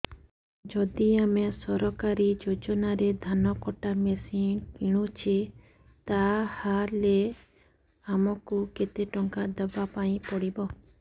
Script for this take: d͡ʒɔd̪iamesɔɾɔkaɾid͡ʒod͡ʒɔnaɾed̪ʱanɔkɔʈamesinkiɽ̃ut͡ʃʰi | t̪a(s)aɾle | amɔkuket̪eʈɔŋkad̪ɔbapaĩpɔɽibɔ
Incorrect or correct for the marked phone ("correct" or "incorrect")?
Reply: incorrect